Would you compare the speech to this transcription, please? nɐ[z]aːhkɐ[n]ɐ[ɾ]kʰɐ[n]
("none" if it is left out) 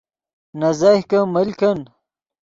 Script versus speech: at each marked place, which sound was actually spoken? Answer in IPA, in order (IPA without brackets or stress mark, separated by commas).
z, m, l, n